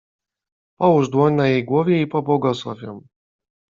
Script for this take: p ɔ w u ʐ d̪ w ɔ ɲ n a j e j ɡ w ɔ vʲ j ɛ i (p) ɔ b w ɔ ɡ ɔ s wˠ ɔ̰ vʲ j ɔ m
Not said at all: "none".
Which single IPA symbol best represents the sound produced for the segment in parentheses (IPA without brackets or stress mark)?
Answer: p